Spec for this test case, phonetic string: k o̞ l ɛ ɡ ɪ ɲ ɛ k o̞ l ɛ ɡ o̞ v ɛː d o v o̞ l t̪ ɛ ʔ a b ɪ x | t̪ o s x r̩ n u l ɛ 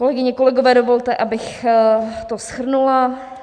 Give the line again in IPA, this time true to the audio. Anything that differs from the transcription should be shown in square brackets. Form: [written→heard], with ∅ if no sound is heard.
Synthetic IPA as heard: k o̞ l ɛ ɡ ɪ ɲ ɛ k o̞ l ɛ ɡ o̞ v ɛː d o v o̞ l t̪ ɛ ʔ a b ɪ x | t̪ o s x r̩ n u l [ɛ→a]